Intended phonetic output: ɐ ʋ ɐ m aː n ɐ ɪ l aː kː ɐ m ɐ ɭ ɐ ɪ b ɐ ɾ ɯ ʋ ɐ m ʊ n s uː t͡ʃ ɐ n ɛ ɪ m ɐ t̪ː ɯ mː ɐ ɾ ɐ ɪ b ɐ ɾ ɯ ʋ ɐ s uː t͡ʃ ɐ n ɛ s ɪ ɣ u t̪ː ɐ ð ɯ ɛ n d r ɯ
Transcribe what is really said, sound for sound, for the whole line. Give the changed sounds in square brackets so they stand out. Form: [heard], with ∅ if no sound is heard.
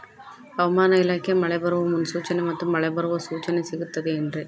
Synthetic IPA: ɐ ʋ ɐ m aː n ɐ ɪ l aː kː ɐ m ɐ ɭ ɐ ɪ b ɐ ɾ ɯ ʋ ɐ m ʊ n s uː t͡ʃ ɐ n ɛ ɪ m ɐ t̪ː ɯ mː ɐ [ɭ] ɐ ɪ b ɐ ɾ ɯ ʋ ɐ s uː t͡ʃ ɐ n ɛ s ɪ ɣ [ɯ] t̪ː ɐ ð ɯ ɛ n d r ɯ